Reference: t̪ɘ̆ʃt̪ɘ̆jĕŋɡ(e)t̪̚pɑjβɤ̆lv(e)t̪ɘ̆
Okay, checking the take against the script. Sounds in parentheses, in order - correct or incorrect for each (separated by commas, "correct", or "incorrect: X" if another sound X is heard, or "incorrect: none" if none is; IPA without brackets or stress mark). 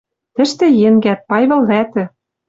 incorrect: æ, incorrect: æ